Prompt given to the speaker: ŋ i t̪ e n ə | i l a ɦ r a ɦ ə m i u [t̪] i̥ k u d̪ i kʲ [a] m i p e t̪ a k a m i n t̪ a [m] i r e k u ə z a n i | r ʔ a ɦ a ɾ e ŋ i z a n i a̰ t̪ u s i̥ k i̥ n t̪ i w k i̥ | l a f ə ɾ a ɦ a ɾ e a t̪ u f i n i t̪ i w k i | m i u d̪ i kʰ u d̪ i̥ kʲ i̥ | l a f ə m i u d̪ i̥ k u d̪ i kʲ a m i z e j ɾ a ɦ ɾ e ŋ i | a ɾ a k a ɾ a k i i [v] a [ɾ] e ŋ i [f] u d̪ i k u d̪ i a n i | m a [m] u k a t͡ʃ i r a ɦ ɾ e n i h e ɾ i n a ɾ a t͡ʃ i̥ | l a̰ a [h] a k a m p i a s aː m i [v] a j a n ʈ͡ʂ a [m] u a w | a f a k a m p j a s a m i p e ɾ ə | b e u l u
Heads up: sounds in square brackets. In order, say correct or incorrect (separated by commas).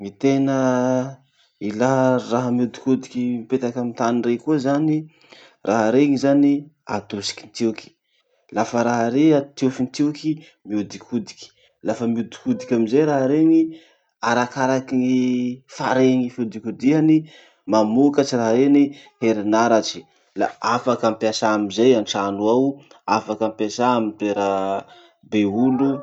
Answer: incorrect, incorrect, incorrect, incorrect, correct, correct, correct, incorrect, incorrect, incorrect